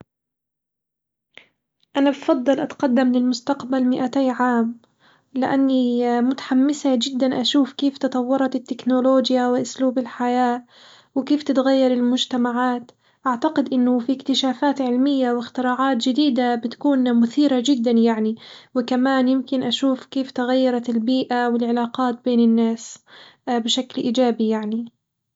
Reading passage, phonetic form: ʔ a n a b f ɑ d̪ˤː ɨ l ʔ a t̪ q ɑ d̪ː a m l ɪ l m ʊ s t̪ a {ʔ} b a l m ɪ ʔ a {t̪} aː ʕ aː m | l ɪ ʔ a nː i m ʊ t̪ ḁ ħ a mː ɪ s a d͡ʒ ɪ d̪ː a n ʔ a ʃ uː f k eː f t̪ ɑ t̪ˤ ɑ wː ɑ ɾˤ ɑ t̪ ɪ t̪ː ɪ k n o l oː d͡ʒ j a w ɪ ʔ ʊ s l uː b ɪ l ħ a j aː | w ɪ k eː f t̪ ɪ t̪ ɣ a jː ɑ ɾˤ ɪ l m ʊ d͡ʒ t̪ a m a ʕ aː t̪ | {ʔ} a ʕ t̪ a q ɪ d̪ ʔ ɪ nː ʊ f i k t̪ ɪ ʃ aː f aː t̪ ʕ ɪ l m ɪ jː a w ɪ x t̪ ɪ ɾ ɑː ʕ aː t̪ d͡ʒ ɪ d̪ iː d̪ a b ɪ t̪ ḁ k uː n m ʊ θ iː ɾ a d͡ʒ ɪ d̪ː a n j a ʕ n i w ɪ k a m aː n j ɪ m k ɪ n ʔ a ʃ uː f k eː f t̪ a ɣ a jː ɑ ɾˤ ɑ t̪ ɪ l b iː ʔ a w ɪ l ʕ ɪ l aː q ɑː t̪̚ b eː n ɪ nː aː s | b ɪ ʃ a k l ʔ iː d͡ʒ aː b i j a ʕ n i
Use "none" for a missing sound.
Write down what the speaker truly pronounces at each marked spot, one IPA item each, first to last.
q, t̪, ʔ

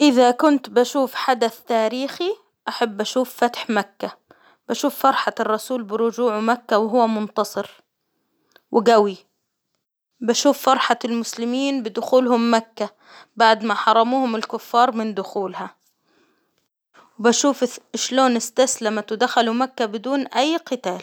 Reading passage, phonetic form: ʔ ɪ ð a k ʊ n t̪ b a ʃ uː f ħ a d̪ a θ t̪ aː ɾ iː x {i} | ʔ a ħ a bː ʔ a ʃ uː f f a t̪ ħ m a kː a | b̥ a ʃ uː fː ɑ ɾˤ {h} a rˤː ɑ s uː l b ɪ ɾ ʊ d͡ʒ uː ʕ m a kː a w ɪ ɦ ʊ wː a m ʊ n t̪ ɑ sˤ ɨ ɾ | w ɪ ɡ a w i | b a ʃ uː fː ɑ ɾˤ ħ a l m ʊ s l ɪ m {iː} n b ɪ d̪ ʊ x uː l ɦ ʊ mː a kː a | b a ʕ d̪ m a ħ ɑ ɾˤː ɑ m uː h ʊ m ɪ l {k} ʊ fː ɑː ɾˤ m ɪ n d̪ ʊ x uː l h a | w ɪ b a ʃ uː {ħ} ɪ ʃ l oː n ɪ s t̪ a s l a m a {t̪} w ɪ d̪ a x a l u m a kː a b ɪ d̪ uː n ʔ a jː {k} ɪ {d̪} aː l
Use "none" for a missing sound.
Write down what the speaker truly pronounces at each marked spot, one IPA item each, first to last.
i, ħ, iː, k, f, t̪, q, t̪

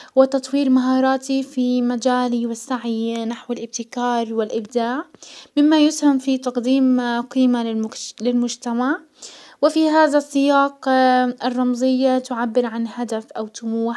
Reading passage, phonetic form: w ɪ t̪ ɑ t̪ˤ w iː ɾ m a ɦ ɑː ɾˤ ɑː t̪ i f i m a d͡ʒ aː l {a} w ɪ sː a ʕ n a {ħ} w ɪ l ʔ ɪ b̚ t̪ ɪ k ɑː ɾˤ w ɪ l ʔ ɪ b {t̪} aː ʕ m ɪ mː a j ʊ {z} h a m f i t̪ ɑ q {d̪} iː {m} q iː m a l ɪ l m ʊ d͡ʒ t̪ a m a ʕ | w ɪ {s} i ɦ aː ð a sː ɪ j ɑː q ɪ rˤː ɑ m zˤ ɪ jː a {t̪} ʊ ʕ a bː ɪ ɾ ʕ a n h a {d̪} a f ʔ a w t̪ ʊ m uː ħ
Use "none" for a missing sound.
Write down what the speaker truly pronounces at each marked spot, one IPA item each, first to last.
i, ħ, d̪, s, d̪, m, f, t̪, d̪

